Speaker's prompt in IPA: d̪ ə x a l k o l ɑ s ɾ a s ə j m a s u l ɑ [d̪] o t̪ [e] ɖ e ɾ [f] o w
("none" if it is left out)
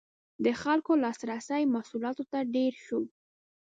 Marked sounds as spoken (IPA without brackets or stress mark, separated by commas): t̪, a, ʃ